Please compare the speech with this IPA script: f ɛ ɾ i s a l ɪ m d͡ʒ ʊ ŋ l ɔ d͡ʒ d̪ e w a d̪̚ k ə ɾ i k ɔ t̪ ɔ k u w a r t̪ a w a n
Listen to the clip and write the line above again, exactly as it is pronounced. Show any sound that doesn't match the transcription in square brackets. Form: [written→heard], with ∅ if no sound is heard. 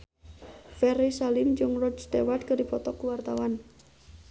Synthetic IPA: f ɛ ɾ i s a l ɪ m d͡ʒ ʊ ŋ [l→r] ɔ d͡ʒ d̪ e w a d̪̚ k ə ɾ i [k→p] ɔ t̪ ɔ k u w a r t̪ a w a n